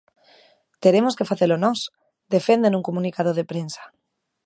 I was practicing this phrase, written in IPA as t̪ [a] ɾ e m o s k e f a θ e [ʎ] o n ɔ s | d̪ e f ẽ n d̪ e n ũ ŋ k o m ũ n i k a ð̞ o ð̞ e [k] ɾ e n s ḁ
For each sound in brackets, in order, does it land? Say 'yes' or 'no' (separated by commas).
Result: no, no, no